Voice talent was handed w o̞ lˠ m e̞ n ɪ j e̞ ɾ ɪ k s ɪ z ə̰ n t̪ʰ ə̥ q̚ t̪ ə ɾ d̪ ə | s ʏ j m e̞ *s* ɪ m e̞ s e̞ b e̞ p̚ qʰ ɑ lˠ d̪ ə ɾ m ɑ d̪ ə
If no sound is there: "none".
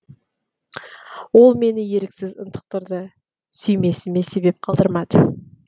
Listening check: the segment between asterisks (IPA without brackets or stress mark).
s